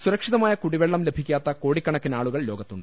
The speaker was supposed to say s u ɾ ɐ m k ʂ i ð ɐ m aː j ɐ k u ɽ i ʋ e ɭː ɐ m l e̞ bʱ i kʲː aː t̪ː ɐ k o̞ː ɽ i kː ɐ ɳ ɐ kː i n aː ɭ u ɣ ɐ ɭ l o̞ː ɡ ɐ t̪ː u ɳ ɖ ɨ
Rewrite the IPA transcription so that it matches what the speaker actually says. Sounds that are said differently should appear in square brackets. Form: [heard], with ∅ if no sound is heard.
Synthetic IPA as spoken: s u ɾ ɐ [∅] k ʂ i ð ɐ m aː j ɐ k u ɽ i ʋ e ɭː ɐ m l e̞ bʱ i kʲː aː t̪ː ɐ k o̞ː ɽ i kː ɐ ɳ ɐ kː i n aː ɭ u ɣ ɐ ɭ l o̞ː ɡ ɐ t̪ː u ɳ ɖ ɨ